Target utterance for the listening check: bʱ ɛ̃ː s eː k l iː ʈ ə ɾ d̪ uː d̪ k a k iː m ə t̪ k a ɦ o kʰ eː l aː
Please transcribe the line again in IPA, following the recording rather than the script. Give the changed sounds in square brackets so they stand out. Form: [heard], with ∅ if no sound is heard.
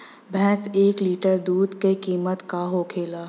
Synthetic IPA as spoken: bʱ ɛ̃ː s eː k l iː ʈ ə ɾ d̪ uː d̪ k [e] k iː m ə t̪ k a ɦ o kʰ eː l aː

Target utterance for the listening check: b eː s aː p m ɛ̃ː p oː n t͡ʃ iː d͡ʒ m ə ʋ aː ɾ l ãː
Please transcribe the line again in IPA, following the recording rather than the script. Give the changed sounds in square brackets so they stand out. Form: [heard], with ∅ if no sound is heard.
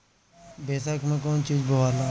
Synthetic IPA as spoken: b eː s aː [k] m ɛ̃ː [k] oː n t͡ʃ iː d͡ʒ [b] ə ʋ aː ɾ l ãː

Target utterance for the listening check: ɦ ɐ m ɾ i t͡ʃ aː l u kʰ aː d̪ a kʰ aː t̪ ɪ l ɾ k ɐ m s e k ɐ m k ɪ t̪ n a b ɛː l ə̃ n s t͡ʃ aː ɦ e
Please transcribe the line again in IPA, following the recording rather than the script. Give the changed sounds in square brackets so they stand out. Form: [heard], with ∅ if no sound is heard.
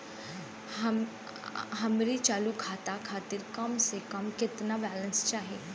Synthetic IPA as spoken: ɦ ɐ m ɾ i t͡ʃ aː l u kʰ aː [t̪] a kʰ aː t̪ ɪ [∅] ɾ k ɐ m s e k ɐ m k ɪ t̪ n a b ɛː l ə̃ n s t͡ʃ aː ɦ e

